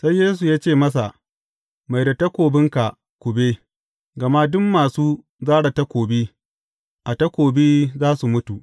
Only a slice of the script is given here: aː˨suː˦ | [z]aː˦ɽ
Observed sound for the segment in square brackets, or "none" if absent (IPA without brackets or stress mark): z